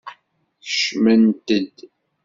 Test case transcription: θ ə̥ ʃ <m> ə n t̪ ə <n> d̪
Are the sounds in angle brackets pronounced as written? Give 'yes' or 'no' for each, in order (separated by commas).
yes, no